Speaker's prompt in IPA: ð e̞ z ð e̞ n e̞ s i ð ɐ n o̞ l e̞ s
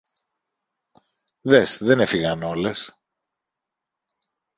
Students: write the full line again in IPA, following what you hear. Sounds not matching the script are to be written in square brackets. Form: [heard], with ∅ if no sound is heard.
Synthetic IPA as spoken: ð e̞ [s] ð e̞ n e̞ [f] i [ɣ] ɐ n o̞ l e̞ s